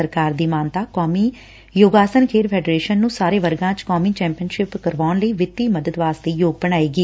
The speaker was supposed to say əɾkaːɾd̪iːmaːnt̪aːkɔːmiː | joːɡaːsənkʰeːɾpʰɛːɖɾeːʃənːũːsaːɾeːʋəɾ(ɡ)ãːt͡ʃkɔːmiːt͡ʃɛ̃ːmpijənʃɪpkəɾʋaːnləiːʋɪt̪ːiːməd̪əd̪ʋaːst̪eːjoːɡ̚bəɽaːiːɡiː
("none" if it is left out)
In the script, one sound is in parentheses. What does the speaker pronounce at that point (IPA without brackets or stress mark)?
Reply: ɡ